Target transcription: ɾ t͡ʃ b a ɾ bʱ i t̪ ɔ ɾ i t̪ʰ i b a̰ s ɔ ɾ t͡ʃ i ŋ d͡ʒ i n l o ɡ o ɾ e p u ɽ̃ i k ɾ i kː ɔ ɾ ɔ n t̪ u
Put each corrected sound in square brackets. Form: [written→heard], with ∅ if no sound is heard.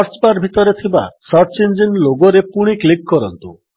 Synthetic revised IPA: ɾ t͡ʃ b a ɾ bʱ i t̪ ɔ ɾ [i→e] t̪ʰ i b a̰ s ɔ ɾ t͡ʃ i [ŋ→n] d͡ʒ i n l o ɡ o ɾ e p u ɽ̃ i k [ɾ→l] i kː ɔ ɾ ɔ n t̪ u